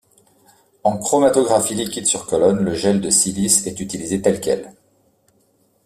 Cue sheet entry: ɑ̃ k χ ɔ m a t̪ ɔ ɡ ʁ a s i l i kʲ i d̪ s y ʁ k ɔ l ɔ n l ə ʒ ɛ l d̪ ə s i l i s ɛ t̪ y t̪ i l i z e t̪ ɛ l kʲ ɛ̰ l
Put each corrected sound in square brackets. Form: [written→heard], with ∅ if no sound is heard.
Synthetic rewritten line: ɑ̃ k χ ɔ m a t̪ ɔ ɡ ʁ a [s→f] i l i kʲ i d̪ s y ʁ k ɔ l ɔ n l ə ʒ ɛ l d̪ ə s i l i s ɛ t̪ y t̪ i l i z e t̪ ɛ l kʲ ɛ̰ l